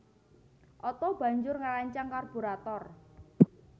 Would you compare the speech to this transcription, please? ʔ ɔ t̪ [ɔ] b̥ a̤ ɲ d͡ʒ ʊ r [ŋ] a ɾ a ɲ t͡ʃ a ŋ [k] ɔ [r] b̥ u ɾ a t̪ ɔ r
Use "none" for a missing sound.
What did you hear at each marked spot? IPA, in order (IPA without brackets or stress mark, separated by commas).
ɔ, ŋ, k, r